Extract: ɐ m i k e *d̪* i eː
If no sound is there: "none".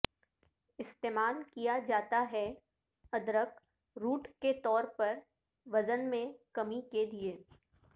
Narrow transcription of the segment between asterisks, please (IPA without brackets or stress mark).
d̪